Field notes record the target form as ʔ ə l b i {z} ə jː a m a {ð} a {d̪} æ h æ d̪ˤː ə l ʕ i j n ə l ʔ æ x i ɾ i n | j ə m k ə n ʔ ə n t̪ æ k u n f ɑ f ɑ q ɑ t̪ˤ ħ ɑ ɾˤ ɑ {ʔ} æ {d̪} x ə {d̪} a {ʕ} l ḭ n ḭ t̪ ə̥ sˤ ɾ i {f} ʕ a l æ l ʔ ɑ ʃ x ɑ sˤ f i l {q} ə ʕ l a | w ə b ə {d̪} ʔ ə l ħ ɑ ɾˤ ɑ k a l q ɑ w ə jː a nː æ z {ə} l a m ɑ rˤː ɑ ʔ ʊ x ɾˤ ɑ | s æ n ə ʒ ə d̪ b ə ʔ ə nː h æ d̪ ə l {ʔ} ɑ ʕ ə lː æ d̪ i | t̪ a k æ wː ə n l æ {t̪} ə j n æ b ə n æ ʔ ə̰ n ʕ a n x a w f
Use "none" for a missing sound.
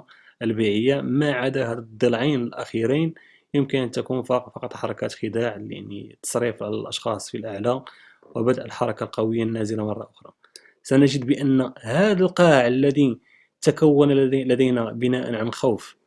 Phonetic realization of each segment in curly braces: ʕ, ʕ, d̪, k, t̪, d̪, ʕ, f, ʔ, d̪, ə, q, d̪

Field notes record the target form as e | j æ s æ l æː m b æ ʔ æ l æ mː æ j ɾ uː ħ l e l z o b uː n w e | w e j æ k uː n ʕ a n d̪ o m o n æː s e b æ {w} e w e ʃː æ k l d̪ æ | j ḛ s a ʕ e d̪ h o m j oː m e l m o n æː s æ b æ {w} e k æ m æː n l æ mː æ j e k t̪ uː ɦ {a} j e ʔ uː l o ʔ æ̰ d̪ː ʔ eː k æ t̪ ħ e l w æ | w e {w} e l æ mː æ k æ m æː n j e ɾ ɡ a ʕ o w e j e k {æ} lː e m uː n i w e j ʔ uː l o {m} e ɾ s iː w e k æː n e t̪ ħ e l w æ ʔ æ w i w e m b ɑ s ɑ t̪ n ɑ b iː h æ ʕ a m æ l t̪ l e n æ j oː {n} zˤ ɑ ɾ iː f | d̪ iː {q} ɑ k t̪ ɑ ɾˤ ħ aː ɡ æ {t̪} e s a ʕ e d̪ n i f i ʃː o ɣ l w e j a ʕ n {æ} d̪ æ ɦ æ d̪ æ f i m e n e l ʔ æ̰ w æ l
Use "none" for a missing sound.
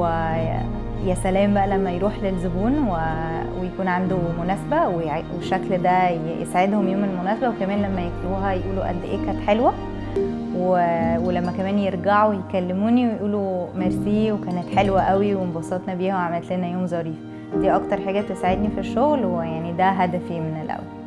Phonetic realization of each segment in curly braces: w, w, æ, w, æ, m, m, ʔ, t̪, i

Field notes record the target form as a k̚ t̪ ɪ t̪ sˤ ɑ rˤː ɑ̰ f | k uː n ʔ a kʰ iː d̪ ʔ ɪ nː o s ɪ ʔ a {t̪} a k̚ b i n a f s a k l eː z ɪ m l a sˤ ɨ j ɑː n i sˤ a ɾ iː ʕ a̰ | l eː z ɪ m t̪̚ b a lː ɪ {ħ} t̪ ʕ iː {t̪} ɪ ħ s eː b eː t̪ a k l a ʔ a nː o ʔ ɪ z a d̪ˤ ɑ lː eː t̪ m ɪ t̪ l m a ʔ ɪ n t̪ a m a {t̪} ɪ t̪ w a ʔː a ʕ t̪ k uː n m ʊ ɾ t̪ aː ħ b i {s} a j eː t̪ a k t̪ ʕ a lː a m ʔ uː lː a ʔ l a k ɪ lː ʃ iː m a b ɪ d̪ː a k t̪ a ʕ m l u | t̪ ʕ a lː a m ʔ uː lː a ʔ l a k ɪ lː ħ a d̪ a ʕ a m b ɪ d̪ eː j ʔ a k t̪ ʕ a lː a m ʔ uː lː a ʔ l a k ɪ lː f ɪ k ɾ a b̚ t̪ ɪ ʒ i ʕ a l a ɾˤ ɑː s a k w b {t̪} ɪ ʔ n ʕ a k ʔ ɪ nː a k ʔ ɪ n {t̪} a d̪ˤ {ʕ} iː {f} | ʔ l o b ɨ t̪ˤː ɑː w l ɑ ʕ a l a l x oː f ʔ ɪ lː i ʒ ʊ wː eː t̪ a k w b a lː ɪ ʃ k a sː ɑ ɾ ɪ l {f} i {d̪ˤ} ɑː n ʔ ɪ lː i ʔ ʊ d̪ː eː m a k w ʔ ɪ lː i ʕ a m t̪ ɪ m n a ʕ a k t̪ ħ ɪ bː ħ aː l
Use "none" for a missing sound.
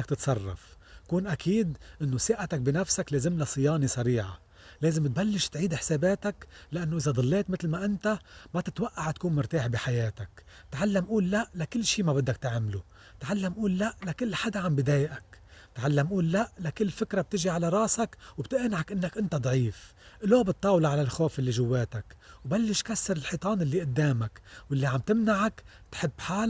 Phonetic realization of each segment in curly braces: t̪, ʃ, d̪, t̪, ħ, t̪, t̪, ʕ, f, ħ, t̪ˤ

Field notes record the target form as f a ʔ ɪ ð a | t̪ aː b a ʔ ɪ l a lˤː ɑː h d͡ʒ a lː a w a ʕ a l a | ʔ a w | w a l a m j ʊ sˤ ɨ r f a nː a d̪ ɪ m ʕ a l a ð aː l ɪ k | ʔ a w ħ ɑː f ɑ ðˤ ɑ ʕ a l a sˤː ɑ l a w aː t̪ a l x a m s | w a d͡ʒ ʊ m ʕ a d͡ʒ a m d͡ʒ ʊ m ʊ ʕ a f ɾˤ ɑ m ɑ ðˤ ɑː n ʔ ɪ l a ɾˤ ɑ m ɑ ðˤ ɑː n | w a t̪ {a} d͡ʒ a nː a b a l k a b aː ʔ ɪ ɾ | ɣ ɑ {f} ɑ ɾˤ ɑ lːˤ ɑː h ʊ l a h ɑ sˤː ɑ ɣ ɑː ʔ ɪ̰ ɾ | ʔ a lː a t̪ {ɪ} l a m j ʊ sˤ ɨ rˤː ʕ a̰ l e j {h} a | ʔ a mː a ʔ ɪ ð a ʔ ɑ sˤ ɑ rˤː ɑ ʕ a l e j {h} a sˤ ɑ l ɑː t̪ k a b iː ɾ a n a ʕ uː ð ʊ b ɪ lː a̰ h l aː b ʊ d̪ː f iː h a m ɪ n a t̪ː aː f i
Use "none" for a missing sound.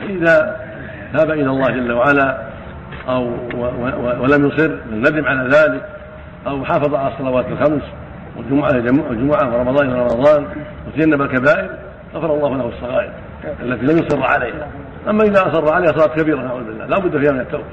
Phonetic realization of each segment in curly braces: a, f, i, h, h

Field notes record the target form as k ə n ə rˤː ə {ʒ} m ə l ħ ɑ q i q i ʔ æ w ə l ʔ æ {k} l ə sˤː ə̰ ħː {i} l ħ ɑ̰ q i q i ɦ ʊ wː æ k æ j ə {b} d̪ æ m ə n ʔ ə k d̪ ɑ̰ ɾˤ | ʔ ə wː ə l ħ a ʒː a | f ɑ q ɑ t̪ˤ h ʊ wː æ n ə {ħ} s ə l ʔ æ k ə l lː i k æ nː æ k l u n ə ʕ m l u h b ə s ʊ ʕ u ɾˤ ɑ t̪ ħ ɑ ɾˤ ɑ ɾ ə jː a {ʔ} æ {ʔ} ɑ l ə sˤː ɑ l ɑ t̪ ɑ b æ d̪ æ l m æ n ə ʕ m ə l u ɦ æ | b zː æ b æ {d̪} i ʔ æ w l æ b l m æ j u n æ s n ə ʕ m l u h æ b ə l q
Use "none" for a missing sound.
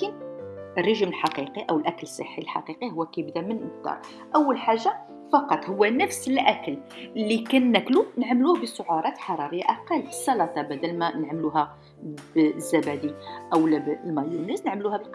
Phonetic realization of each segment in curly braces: ʒ, k, i, b, f, ʔ, q, d̪

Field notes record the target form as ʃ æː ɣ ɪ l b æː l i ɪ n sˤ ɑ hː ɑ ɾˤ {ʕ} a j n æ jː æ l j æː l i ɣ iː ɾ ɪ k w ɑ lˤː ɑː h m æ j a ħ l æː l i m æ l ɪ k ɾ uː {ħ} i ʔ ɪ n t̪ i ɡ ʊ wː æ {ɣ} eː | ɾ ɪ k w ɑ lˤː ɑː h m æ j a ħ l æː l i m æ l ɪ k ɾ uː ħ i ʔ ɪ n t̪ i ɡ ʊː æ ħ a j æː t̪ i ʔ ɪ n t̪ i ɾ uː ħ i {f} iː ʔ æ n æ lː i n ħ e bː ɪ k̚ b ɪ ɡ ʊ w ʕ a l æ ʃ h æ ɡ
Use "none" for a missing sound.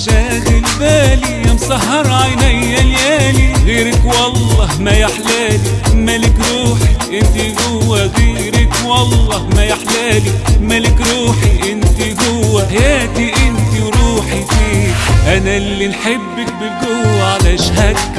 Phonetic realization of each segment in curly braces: ʕ, ħ, ɣ, f

